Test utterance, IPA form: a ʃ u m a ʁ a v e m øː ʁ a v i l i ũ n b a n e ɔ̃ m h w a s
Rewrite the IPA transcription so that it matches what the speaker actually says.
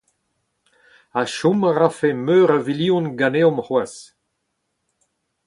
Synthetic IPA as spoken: a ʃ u m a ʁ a f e m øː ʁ a v i l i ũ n ɡ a n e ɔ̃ m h w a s